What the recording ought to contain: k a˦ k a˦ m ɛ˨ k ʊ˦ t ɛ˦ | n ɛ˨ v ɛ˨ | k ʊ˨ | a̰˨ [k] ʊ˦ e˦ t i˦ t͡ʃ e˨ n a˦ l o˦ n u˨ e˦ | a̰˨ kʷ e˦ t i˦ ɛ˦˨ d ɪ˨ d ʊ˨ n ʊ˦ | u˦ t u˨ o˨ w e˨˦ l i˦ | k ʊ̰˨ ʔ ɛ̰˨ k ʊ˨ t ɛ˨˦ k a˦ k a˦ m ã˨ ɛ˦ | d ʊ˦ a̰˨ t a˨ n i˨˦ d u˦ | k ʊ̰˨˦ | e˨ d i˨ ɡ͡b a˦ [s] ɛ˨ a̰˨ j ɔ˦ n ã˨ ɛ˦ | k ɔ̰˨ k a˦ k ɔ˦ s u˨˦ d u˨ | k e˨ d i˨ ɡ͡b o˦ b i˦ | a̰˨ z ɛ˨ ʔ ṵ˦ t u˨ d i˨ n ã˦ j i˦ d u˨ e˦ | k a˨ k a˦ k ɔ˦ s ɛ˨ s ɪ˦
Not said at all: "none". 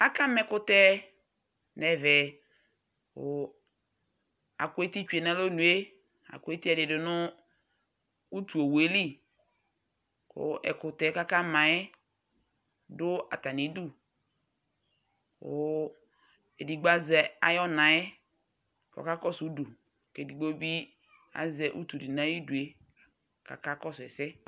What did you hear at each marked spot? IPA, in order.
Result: k, z

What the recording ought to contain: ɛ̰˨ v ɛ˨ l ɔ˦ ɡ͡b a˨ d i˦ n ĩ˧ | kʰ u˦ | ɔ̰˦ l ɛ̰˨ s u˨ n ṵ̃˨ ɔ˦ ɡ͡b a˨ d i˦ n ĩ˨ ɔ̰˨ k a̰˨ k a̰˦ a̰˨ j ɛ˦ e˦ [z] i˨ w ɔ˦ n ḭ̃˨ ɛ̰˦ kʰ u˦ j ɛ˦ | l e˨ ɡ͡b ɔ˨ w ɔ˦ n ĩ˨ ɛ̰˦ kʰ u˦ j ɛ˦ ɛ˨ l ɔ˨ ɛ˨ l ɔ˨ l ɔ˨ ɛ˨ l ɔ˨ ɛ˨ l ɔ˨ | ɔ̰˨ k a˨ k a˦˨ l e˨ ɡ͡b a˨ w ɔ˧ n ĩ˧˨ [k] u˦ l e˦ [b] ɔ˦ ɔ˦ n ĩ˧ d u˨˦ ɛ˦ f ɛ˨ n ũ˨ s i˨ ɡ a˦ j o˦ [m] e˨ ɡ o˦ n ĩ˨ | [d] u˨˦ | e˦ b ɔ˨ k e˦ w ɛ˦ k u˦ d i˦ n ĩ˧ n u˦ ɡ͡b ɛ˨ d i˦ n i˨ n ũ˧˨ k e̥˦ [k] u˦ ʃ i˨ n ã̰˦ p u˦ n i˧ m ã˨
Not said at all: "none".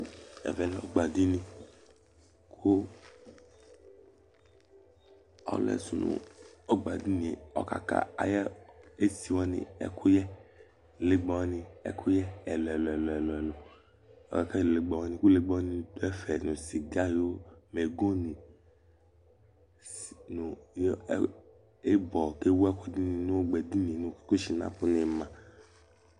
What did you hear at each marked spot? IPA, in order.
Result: s, k, ɡ͡b, m, n, k

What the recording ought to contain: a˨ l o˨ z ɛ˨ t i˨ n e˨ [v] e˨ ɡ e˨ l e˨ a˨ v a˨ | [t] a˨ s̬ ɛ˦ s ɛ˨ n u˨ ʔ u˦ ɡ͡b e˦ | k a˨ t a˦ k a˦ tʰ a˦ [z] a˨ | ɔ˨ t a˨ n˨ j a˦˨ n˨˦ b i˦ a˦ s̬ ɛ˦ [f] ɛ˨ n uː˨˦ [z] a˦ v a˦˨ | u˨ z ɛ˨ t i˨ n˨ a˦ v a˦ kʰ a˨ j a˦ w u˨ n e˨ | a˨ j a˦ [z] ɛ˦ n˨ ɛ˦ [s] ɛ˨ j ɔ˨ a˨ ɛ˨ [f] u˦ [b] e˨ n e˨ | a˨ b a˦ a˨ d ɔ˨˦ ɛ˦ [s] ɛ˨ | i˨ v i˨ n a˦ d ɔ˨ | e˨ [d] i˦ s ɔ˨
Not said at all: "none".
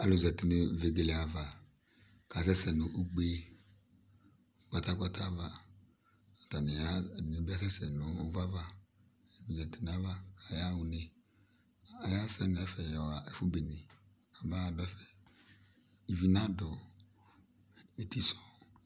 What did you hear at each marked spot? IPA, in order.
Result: v, k, v, s, v, s, f, f, b, f, t

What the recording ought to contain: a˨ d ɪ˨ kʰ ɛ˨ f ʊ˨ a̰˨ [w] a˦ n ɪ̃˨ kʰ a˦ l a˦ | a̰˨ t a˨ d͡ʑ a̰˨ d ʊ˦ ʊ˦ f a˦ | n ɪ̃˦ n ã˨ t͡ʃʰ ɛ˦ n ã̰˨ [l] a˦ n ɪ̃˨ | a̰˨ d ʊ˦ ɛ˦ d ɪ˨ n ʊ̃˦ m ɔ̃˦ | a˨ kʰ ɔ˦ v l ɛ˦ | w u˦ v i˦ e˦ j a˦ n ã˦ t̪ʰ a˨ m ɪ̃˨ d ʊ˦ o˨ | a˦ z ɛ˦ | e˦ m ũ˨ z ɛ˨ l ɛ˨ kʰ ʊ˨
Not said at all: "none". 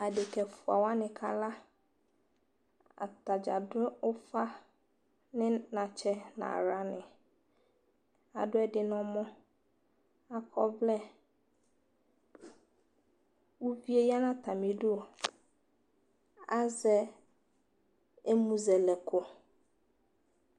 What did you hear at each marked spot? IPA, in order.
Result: w, ɾ

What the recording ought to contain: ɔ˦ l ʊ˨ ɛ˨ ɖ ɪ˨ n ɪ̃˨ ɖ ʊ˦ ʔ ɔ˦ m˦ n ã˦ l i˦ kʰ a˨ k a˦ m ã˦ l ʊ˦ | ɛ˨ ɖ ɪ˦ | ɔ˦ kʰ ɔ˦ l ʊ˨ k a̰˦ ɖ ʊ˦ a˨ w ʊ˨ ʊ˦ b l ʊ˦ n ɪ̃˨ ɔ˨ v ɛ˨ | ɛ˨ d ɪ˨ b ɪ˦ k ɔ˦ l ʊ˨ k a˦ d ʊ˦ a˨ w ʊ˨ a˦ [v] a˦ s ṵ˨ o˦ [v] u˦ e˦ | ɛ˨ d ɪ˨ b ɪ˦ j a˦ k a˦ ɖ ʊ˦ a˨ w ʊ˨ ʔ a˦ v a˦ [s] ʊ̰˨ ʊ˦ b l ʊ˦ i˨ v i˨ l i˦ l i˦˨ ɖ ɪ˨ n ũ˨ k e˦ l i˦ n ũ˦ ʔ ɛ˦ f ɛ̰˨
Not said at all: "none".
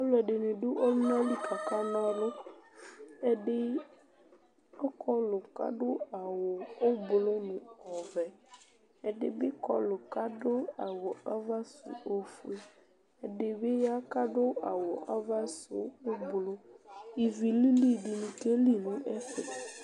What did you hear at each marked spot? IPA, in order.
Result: v, f, s

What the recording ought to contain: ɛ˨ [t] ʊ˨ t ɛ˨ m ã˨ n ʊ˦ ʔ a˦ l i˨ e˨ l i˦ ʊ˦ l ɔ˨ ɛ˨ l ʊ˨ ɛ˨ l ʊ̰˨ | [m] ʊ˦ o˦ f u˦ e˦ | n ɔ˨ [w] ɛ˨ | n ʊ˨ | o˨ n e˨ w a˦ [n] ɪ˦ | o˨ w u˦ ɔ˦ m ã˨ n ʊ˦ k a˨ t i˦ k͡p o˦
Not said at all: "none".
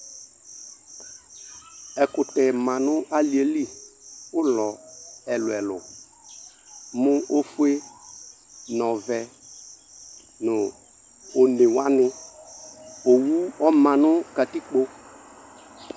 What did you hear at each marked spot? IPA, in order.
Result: k, m, v, n

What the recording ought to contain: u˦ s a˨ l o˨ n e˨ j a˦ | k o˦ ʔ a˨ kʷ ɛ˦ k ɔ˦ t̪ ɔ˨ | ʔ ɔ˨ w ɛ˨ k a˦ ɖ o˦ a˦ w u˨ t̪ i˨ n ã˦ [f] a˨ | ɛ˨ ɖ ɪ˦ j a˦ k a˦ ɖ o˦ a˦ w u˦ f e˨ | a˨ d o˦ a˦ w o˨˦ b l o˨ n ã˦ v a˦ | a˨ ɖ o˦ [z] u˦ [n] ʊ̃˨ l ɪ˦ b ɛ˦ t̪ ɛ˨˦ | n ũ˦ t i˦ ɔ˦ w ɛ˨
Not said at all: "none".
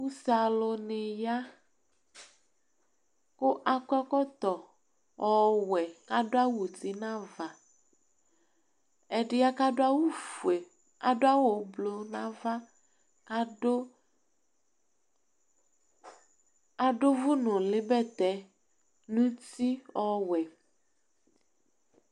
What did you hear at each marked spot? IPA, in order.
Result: v, v, n

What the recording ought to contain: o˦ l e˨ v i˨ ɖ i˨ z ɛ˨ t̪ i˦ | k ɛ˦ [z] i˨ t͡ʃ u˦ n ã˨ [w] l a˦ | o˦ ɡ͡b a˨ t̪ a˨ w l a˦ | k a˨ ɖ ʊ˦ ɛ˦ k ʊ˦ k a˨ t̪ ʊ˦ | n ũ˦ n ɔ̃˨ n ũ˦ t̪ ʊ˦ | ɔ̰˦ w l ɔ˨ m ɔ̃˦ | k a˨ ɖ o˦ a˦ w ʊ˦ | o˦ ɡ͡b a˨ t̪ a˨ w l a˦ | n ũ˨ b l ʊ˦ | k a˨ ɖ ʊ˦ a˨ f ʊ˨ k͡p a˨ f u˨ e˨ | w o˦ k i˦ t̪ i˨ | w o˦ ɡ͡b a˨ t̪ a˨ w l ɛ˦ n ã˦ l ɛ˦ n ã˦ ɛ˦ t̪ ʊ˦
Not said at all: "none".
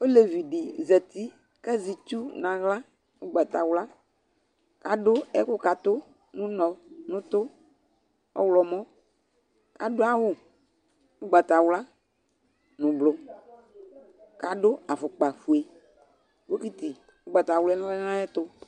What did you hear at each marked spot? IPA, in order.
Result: z, ɣ

